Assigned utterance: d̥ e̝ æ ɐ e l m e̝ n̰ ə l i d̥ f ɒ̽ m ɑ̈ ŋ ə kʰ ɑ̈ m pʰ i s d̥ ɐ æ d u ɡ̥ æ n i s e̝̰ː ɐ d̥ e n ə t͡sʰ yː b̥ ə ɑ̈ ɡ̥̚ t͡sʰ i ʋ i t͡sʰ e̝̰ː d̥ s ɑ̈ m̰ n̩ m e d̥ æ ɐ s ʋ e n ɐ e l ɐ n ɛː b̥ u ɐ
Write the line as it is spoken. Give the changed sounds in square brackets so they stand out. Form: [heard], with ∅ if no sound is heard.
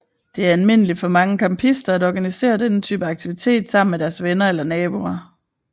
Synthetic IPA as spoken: d̥ e̝ æ ɐ [æ] l m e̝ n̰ ə l i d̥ f ɒ̽ m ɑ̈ ŋ ə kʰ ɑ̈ m pʰ i s d̥ ɐ æ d [ɒ] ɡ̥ æ n i s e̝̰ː ɐ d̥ e n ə t͡sʰ yː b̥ ə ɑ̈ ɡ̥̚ t͡sʰ i ʋ i t͡sʰ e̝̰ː d̥ s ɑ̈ m̰ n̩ m e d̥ æ ɐ s ʋ e n ɐ e l ɐ n ɛː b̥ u ɐ